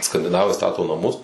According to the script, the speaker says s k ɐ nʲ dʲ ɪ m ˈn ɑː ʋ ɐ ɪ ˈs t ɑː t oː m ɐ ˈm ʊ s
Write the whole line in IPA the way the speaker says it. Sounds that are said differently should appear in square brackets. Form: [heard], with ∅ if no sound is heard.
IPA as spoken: s k ɐ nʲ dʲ ɪ [∅] ˈn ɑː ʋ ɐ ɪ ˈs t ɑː t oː [n] ɐ ˈm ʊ s